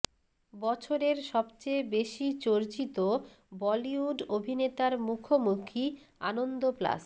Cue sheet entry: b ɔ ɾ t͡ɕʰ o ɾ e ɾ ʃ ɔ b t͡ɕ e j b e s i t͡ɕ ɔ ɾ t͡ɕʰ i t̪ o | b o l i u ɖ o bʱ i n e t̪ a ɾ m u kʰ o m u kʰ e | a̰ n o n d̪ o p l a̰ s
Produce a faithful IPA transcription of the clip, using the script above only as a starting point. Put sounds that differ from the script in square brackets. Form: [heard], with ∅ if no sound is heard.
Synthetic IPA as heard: b ɔ [∅] t͡ɕʰ o ɾ e ɾ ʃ ɔ b t͡ɕ e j b e [ʃ] i t͡ɕ [o] ɾ [t͡ɕ] i t̪ o | b [ɔ] l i u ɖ o bʱ i n e t̪ a ɾ m u kʰ o m u kʰ [i] | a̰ n o n d̪ o p l a̰ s